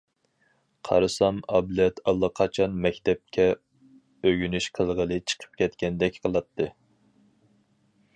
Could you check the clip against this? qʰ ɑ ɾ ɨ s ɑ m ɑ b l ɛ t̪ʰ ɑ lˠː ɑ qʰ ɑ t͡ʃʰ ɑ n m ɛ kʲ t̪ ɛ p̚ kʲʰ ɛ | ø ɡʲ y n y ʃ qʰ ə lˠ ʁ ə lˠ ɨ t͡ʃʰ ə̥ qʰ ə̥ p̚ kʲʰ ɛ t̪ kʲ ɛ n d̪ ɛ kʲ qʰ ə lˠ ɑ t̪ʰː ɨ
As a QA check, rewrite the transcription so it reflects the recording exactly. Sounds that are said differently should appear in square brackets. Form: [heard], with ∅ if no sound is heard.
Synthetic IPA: qʰ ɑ ɾ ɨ s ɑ m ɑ b l ɛ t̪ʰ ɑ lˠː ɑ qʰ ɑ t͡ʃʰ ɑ n m ɛ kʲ t̪ ɛ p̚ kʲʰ ɛ | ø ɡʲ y n y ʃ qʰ ə lˠ ʁ ə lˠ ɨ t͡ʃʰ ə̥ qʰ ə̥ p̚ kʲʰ ɛ t̪ kʲ ɛ n d̪ ɛ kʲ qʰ ə lˠ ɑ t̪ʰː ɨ